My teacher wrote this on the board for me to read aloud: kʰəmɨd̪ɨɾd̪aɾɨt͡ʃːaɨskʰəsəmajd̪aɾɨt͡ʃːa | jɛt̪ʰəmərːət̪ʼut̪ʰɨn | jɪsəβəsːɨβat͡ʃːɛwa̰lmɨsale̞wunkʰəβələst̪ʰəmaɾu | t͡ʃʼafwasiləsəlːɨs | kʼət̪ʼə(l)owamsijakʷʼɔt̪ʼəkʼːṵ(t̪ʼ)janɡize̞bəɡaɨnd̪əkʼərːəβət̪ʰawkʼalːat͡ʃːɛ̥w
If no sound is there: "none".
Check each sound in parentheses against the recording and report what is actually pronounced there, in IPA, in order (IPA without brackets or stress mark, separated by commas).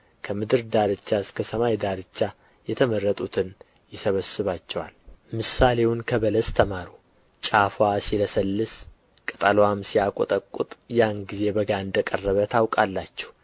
l, t̪ʼ